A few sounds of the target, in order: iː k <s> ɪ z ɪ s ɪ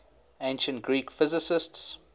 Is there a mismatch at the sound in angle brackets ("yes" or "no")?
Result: yes